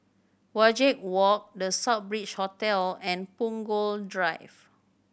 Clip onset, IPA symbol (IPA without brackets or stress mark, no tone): w